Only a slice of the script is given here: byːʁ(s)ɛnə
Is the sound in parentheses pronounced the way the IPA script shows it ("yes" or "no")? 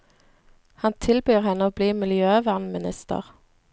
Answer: no